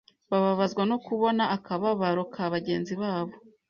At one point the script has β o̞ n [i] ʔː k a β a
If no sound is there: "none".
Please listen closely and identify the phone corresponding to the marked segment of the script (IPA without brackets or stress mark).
a